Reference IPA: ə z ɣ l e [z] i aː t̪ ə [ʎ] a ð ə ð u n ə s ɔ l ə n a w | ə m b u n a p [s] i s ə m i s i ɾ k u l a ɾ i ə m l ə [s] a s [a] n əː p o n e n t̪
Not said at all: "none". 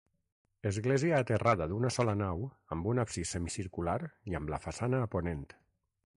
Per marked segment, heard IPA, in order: z, r, s, f, a

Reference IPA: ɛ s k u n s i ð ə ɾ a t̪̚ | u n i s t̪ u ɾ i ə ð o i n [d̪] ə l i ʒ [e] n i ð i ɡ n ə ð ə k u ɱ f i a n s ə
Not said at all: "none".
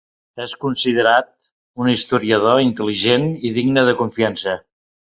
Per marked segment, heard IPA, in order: t̪, e

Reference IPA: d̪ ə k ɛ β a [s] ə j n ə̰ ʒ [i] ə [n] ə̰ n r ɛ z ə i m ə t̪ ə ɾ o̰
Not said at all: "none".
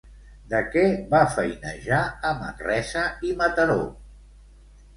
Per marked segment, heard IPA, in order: f, a, m

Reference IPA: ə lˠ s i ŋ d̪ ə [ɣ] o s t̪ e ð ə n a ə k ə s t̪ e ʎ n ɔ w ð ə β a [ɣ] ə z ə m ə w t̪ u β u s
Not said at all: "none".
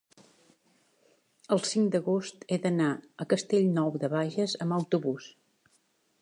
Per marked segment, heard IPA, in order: ɣ, ʒ

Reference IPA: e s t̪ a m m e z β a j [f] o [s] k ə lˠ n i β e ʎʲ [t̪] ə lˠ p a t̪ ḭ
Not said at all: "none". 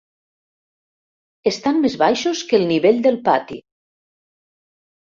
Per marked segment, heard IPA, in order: ʃ, s, d̪

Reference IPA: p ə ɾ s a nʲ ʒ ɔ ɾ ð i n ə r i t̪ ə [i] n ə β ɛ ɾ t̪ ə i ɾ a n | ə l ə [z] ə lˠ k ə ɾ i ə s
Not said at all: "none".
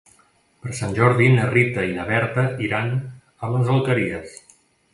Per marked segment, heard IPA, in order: i, z

